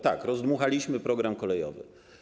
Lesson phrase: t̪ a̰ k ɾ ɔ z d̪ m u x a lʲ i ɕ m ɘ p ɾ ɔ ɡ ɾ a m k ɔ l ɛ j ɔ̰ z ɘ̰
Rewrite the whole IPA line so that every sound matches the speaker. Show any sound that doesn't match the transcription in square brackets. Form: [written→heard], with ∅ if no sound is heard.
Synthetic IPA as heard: t̪ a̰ k ɾ ɔ z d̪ m u x a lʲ i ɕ m ɘ p ɾ ɔ ɡ ɾ a m k ɔ l ɛ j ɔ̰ [z→v] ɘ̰